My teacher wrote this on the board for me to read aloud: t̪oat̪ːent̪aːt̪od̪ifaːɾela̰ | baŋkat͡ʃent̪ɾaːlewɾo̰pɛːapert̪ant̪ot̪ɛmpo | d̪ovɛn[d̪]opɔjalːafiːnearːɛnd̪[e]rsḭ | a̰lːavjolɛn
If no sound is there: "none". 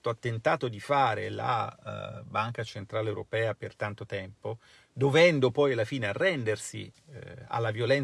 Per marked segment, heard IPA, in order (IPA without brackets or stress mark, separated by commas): d̪, e